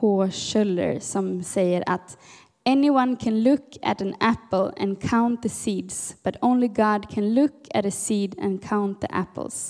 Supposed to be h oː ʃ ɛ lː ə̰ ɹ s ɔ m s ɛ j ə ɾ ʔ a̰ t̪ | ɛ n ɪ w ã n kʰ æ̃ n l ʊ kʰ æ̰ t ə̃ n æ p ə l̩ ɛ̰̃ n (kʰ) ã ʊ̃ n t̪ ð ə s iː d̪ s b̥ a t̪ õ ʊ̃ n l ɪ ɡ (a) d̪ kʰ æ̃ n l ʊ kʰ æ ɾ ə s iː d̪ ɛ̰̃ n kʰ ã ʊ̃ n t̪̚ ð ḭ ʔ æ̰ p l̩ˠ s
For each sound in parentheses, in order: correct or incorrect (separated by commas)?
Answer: correct, incorrect